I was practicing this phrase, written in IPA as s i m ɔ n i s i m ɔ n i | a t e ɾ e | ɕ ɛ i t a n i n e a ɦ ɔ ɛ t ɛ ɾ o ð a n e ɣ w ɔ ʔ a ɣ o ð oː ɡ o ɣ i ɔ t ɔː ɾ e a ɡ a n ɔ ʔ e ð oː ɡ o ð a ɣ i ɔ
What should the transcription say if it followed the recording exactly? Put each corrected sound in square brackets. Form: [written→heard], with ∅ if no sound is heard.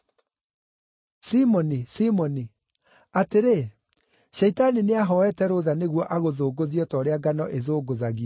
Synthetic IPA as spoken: s i m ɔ n i s i m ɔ n i | a t e ɾ e | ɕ ɛ i t a n i n e a ɦ ɔ ɛ t ɛ ɾ o ð a n e ɣ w ɔ ʔ a ɣ o ð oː ɡ o [ɣ→ð] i ɔ t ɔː ɾ e a ɡ a n ɔ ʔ e ð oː ɡ o ð a ɣ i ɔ